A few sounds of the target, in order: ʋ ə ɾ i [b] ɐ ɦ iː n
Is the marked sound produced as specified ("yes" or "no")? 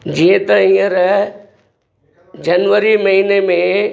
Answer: no